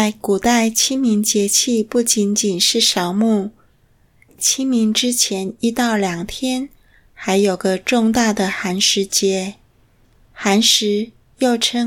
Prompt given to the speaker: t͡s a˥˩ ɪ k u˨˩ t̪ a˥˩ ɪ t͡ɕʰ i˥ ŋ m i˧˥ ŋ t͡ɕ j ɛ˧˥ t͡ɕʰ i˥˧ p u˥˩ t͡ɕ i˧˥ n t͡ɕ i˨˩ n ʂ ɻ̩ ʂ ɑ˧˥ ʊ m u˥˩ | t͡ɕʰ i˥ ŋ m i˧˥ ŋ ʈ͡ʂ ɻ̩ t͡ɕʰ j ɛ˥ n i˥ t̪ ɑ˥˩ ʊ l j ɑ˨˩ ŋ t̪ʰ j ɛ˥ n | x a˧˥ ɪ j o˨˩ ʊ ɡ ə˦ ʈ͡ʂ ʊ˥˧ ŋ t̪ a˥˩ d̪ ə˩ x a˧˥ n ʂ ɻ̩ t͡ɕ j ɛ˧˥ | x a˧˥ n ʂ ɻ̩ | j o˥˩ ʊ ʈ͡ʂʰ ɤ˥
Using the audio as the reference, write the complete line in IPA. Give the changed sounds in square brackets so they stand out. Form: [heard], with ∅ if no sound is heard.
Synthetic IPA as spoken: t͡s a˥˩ ɪ k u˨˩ t̪ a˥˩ ɪ t͡ɕʰ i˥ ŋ m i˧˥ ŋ t͡ɕ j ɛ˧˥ t͡ɕʰ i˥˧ p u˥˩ t͡ɕ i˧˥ n t͡ɕ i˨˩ n ʂ ɻ̩ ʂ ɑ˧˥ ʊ m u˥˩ | t͡ɕʰ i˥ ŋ m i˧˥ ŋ ʈ͡ʂ ɻ̩ t͡ɕʰ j [ɛ˧˥] n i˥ t̪ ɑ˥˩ ʊ l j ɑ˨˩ ŋ t̪ʰ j ɛ˥ n | x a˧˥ ɪ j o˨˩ ʊ ɡ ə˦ ʈ͡ʂ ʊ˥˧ ŋ t̪ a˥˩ d̪ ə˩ x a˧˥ n ʂ ɻ̩ t͡ɕ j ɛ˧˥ | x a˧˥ n ʂ ɻ̩ | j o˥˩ ʊ ʈ͡ʂʰ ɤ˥